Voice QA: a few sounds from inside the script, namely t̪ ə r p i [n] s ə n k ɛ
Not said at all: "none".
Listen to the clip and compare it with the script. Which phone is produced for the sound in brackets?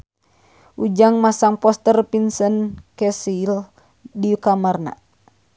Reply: n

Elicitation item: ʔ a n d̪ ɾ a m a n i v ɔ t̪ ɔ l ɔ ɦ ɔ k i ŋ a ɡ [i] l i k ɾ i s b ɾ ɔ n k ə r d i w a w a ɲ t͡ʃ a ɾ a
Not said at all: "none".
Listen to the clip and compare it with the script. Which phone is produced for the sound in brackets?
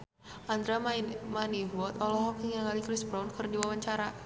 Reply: a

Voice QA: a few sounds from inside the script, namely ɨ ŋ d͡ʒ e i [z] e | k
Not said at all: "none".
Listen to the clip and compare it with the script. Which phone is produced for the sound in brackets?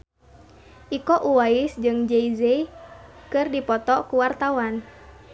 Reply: z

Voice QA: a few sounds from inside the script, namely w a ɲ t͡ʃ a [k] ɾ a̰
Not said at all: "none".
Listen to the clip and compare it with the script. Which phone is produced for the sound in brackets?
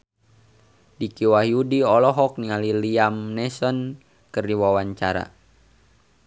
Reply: none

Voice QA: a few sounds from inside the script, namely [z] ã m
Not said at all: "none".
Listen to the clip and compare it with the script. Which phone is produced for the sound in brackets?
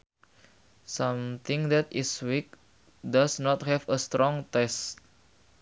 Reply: s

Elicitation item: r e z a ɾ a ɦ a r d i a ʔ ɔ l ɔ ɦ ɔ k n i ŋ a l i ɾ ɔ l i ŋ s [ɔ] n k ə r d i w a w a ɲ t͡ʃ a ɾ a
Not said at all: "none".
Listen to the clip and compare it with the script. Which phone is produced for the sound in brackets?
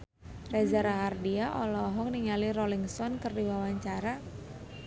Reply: ɔ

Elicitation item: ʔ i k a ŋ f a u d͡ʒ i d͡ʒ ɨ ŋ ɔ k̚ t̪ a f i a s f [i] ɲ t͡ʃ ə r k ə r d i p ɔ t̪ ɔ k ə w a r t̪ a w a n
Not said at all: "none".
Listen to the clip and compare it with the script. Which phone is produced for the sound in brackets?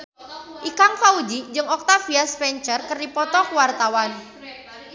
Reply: ɛ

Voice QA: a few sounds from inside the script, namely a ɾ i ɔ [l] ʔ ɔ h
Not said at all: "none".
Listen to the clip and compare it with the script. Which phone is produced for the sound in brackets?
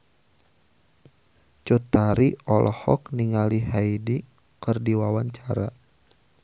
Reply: l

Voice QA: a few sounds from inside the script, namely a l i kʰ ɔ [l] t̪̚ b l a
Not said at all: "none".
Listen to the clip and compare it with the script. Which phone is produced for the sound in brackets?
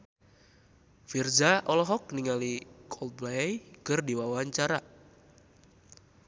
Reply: l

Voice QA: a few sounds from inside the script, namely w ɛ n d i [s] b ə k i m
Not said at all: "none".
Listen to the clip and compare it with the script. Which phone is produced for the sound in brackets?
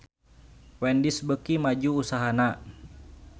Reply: s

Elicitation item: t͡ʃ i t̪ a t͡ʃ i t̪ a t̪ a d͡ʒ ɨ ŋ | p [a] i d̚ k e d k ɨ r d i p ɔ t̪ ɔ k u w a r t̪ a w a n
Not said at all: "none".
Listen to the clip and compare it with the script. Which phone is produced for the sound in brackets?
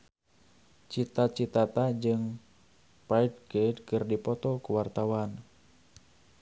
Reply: a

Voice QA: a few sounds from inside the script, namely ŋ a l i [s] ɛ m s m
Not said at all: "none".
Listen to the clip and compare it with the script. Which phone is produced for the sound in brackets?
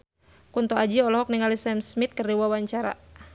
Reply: s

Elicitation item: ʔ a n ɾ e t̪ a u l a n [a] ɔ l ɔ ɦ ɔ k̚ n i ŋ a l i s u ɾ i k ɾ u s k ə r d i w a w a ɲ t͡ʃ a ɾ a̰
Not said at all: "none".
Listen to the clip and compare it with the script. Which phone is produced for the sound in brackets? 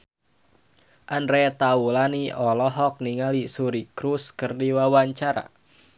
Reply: i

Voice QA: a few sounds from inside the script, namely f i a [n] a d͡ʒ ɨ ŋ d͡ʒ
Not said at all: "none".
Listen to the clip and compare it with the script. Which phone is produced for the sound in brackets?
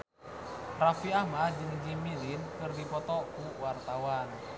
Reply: m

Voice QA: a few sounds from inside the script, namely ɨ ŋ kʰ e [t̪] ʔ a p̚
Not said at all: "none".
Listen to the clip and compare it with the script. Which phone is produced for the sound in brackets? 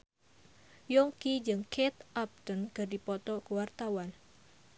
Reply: t̪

